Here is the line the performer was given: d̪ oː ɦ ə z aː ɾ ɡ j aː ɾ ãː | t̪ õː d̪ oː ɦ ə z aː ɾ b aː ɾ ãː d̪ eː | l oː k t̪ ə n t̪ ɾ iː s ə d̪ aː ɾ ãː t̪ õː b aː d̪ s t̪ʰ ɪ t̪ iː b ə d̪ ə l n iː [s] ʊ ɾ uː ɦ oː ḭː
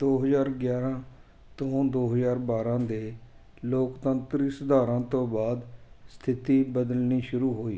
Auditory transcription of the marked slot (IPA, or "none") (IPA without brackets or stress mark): ʃ